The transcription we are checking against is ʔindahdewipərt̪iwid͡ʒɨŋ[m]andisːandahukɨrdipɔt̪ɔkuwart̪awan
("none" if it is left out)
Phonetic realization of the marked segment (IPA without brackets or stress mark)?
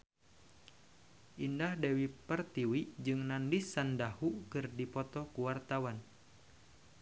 n